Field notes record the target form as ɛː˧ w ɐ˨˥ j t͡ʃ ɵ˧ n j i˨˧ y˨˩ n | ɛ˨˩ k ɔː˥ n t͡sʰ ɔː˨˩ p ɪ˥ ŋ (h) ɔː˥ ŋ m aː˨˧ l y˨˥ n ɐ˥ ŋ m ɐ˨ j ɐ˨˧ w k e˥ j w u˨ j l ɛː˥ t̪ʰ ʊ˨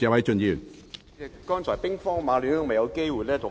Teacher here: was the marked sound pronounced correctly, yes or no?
no